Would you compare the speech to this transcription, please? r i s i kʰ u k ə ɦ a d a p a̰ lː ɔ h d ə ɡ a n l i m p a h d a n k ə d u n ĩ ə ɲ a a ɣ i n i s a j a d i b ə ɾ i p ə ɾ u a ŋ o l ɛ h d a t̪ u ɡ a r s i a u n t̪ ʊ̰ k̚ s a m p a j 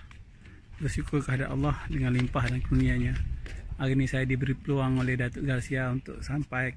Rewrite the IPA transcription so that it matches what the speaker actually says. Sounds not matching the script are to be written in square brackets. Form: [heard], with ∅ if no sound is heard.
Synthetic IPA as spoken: r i s i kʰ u k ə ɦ a d a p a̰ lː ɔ h d ə [ŋ] a n l i m p a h d a n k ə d u n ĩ [a] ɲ a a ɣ i n i s a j a d i b ə ɾ i p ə [l] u a ŋ o l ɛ h d a t̪ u ɡ a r s i a u n t̪ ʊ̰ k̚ s a m p a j